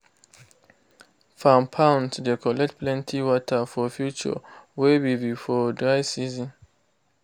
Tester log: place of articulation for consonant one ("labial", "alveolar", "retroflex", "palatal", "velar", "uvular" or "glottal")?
labial